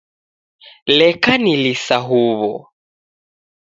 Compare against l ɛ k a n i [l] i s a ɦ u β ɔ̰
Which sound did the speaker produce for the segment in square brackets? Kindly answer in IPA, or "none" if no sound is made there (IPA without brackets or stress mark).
l